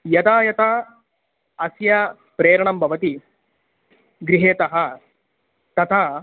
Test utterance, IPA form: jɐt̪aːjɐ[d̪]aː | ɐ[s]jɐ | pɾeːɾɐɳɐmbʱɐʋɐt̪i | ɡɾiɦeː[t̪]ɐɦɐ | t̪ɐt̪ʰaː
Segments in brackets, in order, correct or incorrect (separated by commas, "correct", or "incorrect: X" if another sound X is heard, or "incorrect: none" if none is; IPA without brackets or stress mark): incorrect: t̪, correct, correct